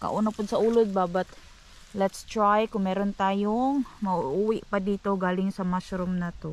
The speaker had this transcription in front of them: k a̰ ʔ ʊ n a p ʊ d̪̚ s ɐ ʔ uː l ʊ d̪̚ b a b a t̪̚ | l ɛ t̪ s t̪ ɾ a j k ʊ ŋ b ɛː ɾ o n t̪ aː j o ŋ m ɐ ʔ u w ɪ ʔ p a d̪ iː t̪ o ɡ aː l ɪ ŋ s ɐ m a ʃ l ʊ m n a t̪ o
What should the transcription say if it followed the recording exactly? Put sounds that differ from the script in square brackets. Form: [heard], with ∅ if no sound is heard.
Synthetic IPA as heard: k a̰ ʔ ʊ n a p ʊ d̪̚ s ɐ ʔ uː l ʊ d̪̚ b a b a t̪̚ | l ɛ t̪ s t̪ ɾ a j k ʊ ŋ [m] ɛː ɾ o n t̪ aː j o ŋ m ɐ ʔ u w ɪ ʔ p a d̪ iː t̪ o ɡ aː l ɪ ŋ s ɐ m a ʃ [ɾ] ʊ m n a t̪ o